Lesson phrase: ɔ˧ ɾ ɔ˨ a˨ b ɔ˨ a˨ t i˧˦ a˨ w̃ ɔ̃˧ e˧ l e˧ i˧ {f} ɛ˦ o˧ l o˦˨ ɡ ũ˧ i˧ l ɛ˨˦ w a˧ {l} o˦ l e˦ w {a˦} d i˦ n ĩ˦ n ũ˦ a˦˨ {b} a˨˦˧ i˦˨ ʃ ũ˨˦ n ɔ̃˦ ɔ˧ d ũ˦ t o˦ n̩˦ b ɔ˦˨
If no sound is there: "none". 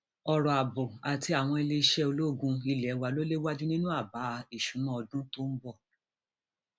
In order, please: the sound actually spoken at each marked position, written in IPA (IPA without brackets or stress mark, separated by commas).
ʃ, l, a˦, b